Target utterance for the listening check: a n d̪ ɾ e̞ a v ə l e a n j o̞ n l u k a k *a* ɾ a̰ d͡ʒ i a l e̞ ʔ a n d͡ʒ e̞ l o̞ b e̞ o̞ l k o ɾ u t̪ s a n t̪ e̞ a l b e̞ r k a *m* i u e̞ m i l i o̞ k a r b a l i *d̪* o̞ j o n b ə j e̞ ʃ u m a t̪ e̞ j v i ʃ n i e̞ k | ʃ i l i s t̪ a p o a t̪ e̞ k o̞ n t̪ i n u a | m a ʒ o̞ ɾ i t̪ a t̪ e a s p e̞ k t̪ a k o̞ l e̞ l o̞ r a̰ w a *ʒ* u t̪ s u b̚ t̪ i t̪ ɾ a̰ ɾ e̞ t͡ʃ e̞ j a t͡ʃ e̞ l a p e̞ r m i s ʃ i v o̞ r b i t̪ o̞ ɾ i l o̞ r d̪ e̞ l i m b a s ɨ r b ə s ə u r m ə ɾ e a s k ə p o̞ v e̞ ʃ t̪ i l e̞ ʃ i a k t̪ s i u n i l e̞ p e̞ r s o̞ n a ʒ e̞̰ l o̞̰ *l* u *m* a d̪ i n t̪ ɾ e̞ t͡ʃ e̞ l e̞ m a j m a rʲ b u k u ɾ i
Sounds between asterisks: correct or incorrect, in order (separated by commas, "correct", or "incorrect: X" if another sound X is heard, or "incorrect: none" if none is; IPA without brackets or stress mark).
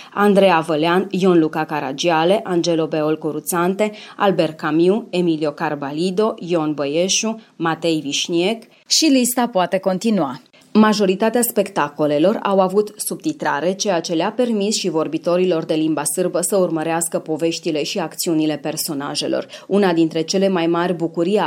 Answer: correct, correct, correct, incorrect: v, incorrect: r, incorrect: n